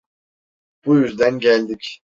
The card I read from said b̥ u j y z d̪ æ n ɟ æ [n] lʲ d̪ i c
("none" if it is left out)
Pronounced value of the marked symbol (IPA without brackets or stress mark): none